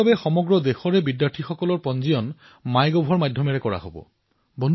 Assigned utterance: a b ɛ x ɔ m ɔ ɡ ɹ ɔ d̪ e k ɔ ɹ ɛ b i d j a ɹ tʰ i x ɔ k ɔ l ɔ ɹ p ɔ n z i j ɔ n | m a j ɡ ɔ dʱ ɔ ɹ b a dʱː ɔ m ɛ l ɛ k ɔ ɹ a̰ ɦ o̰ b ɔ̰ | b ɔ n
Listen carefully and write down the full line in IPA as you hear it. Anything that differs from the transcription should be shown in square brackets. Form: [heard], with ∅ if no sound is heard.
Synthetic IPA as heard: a b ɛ x ɔ m ɔ ɡ ɹ ɔ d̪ e [x] ɔ ɹ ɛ b i d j a ɹ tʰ i x ɔ k ɔ l ɔ ɹ p ɔ n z i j ɔ n | m a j ɡ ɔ [bʱ] ɔ ɹ [m] a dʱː ɔ m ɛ [ɹ] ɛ k ɔ ɹ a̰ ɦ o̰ b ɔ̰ | b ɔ n